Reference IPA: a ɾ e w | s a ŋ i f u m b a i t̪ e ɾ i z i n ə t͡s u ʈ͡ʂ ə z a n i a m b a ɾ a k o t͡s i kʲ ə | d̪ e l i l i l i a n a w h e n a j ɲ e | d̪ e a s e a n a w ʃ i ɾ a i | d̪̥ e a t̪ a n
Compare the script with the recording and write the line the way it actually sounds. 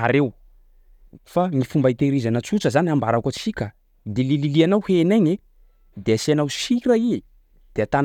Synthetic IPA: a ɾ e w | f a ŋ i f u m b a i t̪ e ɾ i z a n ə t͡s u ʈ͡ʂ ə z a n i a m b a ɾ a k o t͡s i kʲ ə | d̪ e l i l i l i a n a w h e n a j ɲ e | d̪ e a s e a n a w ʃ i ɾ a i | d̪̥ e a t̪ a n